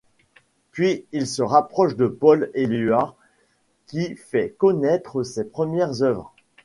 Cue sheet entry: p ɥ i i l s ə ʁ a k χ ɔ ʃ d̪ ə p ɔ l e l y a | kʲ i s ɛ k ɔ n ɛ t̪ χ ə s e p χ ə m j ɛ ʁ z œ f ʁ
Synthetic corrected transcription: p ɥ i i l s ə ʁ a p χ ɔ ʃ d̪ ə p ɔ l e l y a | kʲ i f ɛ k ɔ n ɛ t̪ χ ə s e p χ ə m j ɛ ʁ z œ v ʁ